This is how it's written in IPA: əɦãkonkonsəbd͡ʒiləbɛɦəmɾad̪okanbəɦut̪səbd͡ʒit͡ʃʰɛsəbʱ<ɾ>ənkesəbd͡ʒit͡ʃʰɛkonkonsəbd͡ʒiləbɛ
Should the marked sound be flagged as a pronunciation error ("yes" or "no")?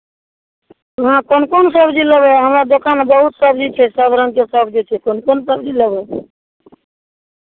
no